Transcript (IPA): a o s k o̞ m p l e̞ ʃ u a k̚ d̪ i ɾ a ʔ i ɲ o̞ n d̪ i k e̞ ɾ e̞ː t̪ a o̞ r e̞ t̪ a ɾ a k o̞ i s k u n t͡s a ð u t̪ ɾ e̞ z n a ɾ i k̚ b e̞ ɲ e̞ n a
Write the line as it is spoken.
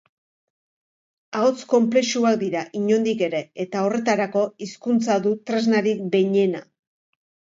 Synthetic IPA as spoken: a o t͡s k o̞ m p l e̞ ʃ u a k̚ d̪ i ɾ a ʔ i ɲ o̞ n d̪ i k e̞ ɾ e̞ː t̪ a o̞ r e̞ t̪ a ɾ a k o̞ i s k u n t͡s a ð u t̪ ɾ e̞ z n a ɾ i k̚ b e̞ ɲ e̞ n a